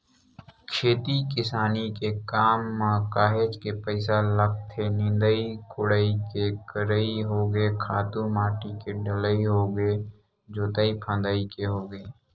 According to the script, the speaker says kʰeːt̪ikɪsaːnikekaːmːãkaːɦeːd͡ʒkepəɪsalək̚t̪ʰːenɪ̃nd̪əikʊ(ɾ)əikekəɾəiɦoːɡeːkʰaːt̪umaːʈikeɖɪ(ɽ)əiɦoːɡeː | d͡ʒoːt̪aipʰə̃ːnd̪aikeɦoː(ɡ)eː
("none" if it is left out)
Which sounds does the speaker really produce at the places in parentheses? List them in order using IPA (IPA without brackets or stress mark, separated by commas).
ɽ, l, ɡ